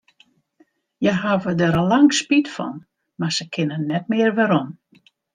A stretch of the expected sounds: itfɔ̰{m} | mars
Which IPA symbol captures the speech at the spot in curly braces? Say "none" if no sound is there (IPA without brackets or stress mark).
n